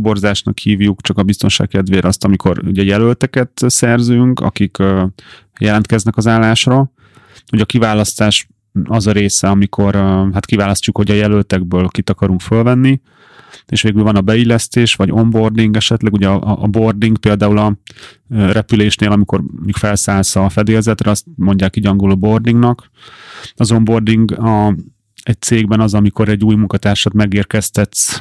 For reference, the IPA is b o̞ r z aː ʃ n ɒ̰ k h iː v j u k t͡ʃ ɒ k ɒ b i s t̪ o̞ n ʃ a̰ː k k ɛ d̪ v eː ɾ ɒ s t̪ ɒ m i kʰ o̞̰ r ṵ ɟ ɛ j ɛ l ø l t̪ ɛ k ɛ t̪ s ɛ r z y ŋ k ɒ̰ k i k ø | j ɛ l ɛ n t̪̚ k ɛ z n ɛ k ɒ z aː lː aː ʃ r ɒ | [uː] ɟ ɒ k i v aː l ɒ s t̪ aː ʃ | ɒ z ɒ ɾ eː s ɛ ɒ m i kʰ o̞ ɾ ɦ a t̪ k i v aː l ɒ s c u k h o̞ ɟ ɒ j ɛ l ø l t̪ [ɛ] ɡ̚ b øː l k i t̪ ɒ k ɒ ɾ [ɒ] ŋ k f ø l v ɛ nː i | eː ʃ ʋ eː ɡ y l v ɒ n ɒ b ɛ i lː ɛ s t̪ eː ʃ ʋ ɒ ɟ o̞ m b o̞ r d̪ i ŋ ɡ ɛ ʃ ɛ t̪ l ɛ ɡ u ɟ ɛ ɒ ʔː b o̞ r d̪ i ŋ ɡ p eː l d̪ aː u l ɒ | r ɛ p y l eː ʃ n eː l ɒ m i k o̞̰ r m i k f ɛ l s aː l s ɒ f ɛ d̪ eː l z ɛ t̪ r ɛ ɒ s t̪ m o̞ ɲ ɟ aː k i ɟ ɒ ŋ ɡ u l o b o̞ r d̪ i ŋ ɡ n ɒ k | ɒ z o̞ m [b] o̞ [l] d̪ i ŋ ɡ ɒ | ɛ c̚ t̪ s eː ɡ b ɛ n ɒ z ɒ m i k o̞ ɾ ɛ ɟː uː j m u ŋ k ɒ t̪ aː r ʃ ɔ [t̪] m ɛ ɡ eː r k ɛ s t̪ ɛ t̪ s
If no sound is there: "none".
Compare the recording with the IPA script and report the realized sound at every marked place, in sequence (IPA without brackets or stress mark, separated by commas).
u, ɛ, u, b, r, t̪